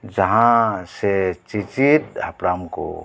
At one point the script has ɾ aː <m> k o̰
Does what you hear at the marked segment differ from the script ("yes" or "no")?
no